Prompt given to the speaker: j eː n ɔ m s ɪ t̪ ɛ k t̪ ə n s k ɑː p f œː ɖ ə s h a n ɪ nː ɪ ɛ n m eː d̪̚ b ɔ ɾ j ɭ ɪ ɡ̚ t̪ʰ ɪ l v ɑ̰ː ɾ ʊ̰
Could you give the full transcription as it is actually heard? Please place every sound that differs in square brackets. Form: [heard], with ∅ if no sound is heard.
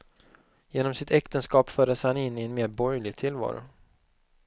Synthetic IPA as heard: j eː n ɔ m s ɪ t̪ ɛ k t̪ ə n s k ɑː p f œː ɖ ə s h a n ɪ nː ɪ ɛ n m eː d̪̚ b ɔ ɾ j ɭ ɪ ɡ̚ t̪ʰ ɪ l v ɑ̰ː ɾ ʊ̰